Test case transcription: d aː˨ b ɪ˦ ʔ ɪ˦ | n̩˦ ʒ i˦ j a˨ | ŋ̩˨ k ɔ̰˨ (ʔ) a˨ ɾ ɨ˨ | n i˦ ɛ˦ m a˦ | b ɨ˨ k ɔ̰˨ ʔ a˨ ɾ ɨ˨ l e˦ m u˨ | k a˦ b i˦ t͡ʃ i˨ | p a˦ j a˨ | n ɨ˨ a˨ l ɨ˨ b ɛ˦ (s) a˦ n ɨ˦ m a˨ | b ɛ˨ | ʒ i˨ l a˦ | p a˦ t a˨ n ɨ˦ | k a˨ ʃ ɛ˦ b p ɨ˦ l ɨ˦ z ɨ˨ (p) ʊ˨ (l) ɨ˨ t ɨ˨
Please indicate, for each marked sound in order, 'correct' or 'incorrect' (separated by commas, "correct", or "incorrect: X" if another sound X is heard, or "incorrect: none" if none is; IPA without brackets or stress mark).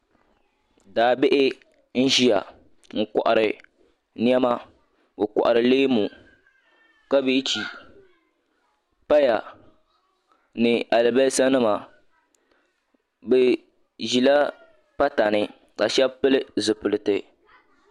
correct, correct, correct, correct